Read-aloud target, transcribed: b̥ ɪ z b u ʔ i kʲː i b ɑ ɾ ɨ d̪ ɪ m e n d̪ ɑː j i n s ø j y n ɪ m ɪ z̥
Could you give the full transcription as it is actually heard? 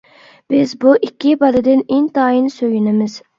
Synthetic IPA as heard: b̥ ɪ z b u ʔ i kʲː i b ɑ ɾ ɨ d̪ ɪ n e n t̪ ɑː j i n s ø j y n ɪ m ɪ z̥